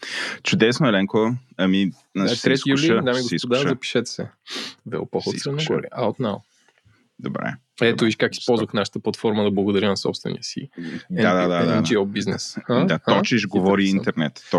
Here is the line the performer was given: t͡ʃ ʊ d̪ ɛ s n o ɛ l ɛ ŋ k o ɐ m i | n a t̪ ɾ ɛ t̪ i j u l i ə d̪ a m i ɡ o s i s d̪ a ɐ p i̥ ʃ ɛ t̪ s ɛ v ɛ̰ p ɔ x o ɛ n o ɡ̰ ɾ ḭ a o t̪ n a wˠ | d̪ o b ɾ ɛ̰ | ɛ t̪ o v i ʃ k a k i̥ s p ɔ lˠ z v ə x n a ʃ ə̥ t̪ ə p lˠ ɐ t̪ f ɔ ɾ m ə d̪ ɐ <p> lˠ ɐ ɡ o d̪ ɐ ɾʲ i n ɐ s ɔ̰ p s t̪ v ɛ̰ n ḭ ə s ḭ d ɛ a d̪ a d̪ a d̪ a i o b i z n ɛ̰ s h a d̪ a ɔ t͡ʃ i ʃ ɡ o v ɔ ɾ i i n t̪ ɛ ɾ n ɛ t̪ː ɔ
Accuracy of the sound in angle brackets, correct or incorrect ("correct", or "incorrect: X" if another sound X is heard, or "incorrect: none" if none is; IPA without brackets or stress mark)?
incorrect: b